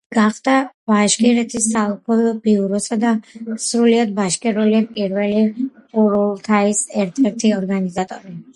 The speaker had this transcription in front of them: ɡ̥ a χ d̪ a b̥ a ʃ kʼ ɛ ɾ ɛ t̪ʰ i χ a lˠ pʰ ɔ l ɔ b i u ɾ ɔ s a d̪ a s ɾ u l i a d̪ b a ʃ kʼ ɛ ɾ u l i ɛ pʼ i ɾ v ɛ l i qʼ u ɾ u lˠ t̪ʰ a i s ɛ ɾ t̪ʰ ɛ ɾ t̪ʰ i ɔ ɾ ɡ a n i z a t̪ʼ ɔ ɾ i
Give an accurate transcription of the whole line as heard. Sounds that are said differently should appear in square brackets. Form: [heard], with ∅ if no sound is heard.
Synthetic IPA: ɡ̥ a χ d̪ a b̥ a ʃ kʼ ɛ ɾ ɛ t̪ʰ i [s] a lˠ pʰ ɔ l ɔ b i u ɾ ɔ s a d̪ a s ɾ u l i a d̪ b a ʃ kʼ ɛ ɾ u l i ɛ pʼ i ɾ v ɛ l i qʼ u ɾ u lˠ t̪ʰ a i s ɛ ɾ t̪ʰ ɛ ɾ t̪ʰ i ɔ ɾ ɡ a n i z a t̪ʼ ɔ ɾ i